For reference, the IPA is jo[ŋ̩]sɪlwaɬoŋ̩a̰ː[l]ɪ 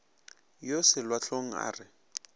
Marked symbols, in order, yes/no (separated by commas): no, no